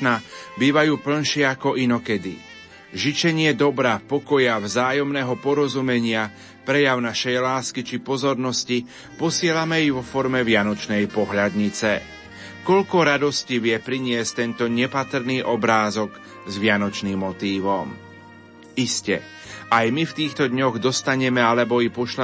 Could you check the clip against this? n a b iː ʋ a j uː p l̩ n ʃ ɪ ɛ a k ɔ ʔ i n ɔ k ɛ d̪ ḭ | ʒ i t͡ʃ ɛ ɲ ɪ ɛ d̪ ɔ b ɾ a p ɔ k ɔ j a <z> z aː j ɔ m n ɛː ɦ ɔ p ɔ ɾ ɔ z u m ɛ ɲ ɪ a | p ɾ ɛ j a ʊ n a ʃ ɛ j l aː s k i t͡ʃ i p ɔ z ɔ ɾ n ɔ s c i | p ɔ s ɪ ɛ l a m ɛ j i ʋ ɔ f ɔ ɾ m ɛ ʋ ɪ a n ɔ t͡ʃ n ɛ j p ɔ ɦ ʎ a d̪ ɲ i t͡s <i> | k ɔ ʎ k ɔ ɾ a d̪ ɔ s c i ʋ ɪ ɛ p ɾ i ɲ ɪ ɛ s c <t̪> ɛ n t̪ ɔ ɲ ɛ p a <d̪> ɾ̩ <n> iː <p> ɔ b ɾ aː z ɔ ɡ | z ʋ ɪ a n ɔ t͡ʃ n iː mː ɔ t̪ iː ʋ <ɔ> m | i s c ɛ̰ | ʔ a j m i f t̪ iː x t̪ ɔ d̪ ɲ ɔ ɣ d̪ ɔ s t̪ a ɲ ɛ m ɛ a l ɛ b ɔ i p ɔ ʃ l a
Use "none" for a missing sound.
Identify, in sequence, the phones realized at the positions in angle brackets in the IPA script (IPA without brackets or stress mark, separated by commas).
v, ɛ, t̪, t̪, n, ʔ, ɔ